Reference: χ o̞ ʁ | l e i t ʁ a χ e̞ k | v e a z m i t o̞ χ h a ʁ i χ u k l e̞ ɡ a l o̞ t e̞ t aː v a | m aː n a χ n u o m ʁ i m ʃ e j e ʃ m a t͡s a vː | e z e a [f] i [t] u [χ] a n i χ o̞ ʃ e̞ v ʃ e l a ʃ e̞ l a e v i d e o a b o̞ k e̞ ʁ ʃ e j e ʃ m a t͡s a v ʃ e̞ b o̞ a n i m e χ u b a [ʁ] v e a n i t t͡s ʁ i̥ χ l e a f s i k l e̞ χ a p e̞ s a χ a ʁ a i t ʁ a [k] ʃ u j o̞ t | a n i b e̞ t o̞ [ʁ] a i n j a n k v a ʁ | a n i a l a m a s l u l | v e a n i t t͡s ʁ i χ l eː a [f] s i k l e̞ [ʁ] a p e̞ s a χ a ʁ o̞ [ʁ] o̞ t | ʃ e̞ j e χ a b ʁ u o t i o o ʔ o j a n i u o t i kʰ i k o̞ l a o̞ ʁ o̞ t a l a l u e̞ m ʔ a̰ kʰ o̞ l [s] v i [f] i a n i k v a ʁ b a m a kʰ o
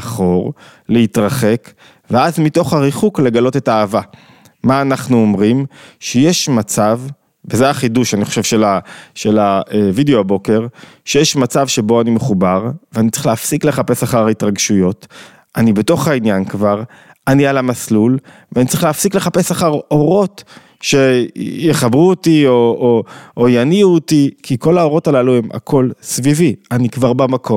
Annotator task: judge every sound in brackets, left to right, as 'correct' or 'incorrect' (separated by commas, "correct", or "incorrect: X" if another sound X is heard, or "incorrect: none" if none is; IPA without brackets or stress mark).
incorrect: χ, incorrect: d, incorrect: ʃ, correct, incorrect: ɡ, incorrect: χ, correct, incorrect: χ, correct, correct, incorrect: v